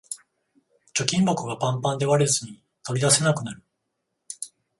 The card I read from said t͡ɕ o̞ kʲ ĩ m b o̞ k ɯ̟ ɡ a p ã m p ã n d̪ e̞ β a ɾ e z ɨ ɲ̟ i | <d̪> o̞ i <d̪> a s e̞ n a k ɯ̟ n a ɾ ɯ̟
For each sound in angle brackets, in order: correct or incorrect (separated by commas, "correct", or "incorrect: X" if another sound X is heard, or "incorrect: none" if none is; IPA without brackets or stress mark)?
incorrect: t̪, correct